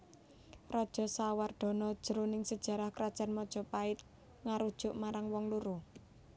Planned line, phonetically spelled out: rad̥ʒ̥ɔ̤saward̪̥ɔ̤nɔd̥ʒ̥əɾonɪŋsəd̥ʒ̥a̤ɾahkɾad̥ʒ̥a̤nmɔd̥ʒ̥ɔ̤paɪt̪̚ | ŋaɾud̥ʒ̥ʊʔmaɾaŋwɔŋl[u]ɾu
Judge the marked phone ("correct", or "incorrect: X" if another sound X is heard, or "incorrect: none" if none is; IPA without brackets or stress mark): correct